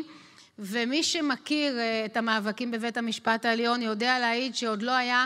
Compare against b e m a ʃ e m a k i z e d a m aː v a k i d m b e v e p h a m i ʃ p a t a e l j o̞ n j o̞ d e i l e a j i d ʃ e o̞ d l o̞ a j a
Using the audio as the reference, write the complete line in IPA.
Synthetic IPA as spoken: v e m i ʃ e m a k i ʁ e t a m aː v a k i m b e v e t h a m i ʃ p a t a e l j o̞ n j o̞ d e a l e a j i d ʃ e o̞ d l o̞ a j a